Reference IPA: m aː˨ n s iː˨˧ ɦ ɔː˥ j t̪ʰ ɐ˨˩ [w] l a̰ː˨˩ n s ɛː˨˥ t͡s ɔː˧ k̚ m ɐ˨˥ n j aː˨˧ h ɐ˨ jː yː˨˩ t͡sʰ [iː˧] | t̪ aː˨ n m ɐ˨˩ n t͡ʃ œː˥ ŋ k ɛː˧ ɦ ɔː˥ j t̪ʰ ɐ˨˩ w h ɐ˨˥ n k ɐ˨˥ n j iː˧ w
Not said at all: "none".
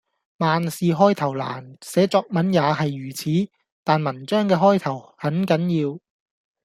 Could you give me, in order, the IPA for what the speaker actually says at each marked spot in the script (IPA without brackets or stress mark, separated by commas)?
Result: w, iː˨˥